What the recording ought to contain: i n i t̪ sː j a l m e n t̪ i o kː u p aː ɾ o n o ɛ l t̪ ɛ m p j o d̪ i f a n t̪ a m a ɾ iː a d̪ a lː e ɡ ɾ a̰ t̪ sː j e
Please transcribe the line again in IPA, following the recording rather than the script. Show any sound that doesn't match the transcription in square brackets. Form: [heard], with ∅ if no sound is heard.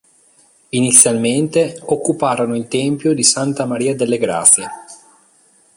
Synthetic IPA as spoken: i n i t̪ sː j a l m e n t̪ [e] o kː u p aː ɾ o n o [i] l t̪ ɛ m p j o d̪ i [s] a n t̪ a m a ɾ iː a d̪ [e] lː e ɡ ɾ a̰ t̪ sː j e